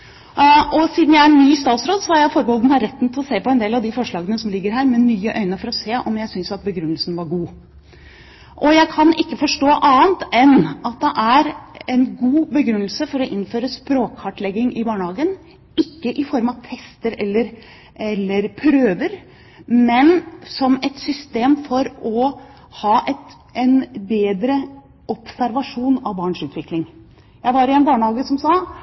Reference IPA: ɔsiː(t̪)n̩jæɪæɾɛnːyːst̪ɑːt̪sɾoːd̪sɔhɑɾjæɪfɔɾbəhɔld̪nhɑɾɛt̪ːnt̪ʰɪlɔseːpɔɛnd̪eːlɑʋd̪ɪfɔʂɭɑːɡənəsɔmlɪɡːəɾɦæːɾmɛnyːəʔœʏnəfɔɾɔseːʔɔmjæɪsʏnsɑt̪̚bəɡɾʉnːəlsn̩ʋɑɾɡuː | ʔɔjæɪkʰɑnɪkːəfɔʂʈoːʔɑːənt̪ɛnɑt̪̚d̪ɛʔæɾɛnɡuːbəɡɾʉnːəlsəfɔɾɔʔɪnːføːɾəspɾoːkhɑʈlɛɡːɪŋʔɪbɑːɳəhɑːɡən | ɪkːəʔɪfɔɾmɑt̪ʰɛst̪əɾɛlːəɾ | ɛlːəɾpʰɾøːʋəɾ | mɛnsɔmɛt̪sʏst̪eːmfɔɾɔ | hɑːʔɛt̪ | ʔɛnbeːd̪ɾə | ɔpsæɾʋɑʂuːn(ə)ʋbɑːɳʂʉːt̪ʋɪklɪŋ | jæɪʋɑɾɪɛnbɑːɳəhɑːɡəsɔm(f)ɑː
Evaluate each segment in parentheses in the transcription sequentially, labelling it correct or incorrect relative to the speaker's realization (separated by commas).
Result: incorrect, incorrect, incorrect